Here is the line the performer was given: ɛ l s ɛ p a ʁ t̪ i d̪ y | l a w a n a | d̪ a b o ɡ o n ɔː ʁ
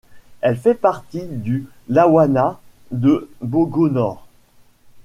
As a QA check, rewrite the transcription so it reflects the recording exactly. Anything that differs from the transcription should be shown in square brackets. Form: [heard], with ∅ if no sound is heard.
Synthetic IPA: ɛ l [f] ɛ p a ʁ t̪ i d̪ y | l a w a n a | d̪ [ə] b o ɡ o n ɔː ʁ